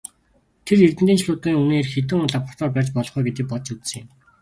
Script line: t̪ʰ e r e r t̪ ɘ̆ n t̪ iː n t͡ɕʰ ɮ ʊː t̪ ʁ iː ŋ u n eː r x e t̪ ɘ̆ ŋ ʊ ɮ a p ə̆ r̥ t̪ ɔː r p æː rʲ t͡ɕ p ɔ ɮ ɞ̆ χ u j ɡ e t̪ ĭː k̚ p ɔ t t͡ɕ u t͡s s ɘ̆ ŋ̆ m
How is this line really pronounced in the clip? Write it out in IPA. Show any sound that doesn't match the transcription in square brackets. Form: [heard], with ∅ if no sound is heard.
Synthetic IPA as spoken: t̪ʰ e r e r t̪ ɘ̆ n t̪ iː n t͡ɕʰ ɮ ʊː t̪ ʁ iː ŋ u n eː r x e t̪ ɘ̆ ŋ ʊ ɮ a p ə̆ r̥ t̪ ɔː r p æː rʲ t͡ɕ p ɔ ɮ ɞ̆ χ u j ɡ e t̪ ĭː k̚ p ɔ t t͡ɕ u t͡s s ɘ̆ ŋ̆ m